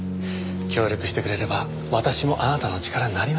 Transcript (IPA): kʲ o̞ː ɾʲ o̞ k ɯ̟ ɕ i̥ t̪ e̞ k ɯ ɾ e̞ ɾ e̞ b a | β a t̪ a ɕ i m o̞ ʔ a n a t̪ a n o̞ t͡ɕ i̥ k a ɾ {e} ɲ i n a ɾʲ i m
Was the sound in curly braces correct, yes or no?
no